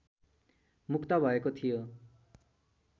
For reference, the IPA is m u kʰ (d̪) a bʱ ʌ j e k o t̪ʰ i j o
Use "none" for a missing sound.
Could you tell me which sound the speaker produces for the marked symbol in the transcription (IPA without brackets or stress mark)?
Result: t̪